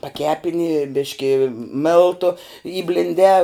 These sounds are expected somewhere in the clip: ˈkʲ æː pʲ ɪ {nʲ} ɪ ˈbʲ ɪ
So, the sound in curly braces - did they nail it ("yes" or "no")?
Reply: yes